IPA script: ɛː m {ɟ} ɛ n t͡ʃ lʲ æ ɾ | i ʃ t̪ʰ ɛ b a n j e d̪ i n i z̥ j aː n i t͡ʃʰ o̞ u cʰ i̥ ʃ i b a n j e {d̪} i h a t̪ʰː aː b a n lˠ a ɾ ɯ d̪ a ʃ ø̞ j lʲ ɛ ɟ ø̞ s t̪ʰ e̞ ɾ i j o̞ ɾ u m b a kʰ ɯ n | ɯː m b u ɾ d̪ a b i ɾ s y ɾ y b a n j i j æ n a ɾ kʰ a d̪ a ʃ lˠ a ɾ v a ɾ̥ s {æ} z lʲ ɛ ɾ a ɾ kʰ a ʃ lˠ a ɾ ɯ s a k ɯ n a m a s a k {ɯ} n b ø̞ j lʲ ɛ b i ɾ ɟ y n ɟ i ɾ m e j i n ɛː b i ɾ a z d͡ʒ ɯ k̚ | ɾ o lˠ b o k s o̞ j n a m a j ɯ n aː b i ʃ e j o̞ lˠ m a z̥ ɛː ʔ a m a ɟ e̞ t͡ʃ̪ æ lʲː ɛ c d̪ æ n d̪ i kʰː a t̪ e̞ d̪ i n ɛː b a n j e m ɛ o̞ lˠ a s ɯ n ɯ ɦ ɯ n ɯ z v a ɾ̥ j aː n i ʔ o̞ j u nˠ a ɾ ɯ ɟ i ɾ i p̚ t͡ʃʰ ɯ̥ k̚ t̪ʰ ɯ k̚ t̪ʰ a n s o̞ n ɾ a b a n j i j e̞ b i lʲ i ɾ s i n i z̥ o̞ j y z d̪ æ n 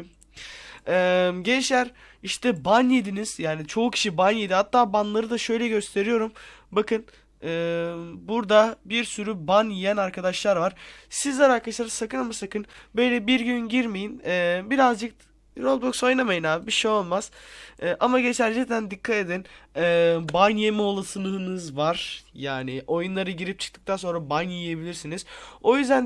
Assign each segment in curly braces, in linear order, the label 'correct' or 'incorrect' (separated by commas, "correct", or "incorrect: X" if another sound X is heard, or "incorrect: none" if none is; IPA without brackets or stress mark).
correct, correct, incorrect: i, correct